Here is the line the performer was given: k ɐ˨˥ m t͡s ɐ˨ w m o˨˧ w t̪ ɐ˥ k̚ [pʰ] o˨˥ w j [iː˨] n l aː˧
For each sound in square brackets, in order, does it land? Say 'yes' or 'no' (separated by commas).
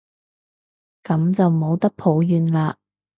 yes, no